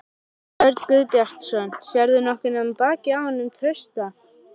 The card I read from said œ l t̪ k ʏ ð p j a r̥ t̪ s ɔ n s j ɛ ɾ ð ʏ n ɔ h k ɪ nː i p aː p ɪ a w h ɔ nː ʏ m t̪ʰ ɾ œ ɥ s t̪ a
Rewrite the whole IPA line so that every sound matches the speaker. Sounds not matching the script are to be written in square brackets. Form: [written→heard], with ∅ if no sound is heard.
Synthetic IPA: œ [l→ɾ] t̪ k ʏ ð p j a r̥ t̪ s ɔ n s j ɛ ɾ ð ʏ n ɔ h k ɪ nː [i→a] p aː [p→c] ɪ a w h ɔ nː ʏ m t̪ʰ ɾ œ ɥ s t̪ a